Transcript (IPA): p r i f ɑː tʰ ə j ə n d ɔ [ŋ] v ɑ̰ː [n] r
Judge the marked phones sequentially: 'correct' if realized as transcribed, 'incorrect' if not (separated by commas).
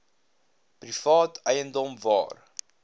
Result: incorrect, incorrect